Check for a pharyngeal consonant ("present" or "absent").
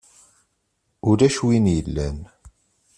absent